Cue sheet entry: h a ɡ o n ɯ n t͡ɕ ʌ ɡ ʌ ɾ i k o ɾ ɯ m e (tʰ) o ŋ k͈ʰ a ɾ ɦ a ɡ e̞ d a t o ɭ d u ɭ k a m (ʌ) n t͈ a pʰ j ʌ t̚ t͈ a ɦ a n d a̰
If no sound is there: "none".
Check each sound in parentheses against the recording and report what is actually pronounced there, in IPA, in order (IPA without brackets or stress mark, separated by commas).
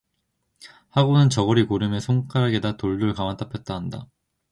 sʰ, a